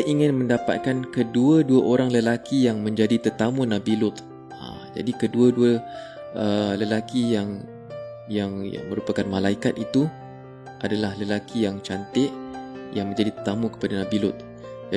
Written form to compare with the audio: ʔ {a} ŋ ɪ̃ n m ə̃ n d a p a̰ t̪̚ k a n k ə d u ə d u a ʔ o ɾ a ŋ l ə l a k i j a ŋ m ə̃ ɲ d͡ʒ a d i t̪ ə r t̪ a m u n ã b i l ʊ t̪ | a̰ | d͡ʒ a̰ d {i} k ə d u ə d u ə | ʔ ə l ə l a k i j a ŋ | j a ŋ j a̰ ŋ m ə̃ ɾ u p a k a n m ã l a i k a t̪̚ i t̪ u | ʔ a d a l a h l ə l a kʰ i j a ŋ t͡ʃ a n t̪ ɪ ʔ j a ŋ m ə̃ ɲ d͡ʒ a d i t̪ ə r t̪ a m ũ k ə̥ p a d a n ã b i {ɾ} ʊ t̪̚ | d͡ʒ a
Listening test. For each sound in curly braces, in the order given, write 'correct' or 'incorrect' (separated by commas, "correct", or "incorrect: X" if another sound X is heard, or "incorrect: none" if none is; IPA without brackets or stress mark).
incorrect: i, correct, incorrect: l